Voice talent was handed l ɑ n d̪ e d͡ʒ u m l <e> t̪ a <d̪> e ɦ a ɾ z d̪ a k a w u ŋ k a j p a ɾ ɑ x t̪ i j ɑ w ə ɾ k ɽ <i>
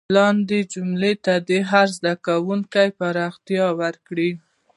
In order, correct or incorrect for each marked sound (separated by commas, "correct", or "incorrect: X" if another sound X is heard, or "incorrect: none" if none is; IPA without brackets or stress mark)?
correct, correct, correct